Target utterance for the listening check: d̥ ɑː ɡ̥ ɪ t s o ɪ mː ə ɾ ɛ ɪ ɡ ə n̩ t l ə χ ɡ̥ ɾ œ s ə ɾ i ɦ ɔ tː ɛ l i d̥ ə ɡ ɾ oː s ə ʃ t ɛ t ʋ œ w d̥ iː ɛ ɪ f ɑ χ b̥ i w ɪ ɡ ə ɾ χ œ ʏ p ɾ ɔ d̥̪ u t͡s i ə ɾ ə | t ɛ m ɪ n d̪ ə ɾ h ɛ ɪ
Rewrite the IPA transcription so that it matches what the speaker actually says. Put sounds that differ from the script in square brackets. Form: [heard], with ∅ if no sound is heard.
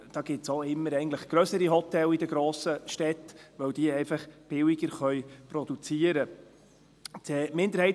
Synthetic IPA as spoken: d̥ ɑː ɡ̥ ɪ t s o ɪ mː ə ɾ ɛ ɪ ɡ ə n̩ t l ə χ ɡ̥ ɾ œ s ə ɾ i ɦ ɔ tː ɛ l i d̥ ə ɡ ɾ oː s ə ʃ t ɛ t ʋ œ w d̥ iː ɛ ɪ f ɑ χ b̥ [ɪ] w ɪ ɡ ə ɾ χ œ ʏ p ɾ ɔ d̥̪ u t͡s i ə ɾ ə | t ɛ m ɪ n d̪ ə ɾ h ɛ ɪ